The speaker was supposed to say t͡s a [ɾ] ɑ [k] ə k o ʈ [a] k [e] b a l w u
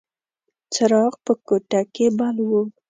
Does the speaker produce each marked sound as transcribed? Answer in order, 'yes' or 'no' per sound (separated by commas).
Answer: yes, no, yes, yes